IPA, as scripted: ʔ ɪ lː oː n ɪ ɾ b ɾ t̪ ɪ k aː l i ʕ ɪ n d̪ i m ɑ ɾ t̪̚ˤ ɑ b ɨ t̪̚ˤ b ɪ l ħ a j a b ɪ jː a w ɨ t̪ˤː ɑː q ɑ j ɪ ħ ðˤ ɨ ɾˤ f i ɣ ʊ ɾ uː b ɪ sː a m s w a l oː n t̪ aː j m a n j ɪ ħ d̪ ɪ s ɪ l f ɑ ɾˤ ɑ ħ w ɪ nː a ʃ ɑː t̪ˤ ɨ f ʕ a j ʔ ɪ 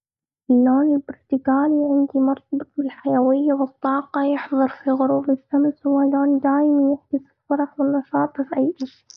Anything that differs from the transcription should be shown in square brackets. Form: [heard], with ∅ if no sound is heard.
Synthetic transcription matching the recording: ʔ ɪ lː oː n ɪ [l] b ɾ t̪ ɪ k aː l i ʕ ɪ n d̪ i m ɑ ɾ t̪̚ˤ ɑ b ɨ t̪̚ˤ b ɪ l ħ a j a [w] ɪ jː a w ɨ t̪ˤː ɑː q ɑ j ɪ ħ ðˤ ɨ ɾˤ f i ɣ ʊ ɾ uː b ɪ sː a m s w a l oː n [d̪] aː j m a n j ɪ ħ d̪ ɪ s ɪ l f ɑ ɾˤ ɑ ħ w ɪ nː [ɑ] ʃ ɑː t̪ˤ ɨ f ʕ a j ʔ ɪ